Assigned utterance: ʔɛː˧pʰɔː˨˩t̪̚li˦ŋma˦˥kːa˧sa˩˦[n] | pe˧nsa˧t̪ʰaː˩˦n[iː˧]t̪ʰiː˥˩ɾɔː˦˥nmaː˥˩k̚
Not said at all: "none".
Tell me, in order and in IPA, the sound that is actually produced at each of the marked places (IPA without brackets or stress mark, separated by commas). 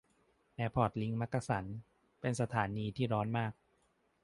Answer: n, iː˧